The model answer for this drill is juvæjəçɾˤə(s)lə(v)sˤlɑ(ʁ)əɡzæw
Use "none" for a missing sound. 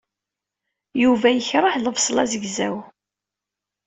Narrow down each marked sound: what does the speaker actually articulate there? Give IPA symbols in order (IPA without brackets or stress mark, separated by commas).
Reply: ħ, v, z